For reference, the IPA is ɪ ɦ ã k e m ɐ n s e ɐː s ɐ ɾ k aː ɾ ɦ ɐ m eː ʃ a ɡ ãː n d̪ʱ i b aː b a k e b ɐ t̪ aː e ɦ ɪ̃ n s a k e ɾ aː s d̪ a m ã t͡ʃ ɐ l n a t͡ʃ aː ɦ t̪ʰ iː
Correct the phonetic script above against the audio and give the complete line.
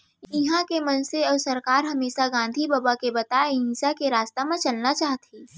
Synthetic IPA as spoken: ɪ ɦ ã k e m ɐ n s e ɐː s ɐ ɾ k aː ɾ ɦ ɐ m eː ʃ a ɡ ãː n d̪ʱ i b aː b a k e b ɐ t̪ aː e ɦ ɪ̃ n s a k e ɾ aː s t̪ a m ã t͡ʃ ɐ l n a t͡ʃ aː ɦ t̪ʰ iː